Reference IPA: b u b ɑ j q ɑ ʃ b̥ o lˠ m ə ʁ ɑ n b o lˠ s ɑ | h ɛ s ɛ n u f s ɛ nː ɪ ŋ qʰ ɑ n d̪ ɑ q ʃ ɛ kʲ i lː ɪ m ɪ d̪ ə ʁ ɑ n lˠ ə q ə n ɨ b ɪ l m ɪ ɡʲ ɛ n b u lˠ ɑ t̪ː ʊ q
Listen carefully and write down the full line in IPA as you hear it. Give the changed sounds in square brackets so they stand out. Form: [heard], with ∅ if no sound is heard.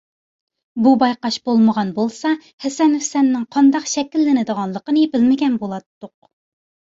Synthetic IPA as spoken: b u b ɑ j q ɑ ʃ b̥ o lˠ m ə ʁ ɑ n b o lˠ s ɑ | h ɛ s ɛ n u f s ɛ nː ɪ ŋ qʰ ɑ n d̪ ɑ q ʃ ɛ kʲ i lː ɪ [n] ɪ d̪ ə ʁ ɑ n lˠ ə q ə n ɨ b ɪ l m ɪ ɡʲ ɛ n b [o] lˠ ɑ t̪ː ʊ q